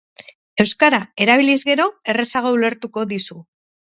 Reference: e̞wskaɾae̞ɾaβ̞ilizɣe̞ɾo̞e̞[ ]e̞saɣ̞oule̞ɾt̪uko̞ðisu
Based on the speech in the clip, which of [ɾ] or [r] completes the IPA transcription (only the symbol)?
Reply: r